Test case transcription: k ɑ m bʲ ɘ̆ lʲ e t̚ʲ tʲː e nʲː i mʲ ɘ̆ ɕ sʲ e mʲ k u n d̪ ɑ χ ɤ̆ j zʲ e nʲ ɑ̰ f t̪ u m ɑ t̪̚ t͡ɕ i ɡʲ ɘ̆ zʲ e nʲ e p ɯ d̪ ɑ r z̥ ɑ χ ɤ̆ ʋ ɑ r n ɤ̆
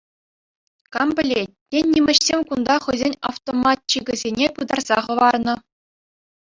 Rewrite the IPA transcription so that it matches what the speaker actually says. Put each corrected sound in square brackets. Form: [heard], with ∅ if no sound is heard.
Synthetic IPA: k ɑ m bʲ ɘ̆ lʲ e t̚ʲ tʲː e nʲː i mʲ ɘ̆ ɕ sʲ e mʲ k u n d̪ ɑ χ ɤ̆ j zʲ e nʲ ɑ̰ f t̪ [o] m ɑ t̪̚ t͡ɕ i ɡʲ ɘ̆ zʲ e nʲ e p ɯ d̪ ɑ r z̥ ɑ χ ɤ̆ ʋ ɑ r n ɤ̆